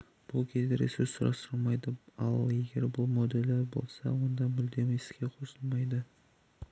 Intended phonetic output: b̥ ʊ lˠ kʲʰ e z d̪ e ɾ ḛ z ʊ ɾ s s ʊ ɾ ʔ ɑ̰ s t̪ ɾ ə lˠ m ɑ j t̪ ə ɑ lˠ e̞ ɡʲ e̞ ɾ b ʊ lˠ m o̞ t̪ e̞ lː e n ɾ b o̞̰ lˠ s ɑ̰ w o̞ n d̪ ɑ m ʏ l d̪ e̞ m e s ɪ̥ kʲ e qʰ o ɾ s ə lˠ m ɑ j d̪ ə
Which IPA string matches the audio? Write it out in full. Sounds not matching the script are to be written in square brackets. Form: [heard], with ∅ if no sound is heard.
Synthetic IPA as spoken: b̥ ʊ lˠ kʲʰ e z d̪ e ɾ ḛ [s] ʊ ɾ s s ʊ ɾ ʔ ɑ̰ s t̪ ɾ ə lˠ m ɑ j [d̪] ə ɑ lˠ e̞ ɡʲ e̞ ɾ b ʊ lˠ m o̞ [d̪] e̞ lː e [∅] ɾ b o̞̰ lˠ s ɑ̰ w o̞ n d̪ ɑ m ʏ l d̪ e̞ m e s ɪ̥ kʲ e qʰ o [∅] s ə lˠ m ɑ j d̪ ə